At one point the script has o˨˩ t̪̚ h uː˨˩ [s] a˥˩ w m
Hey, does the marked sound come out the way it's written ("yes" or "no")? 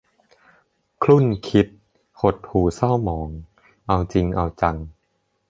yes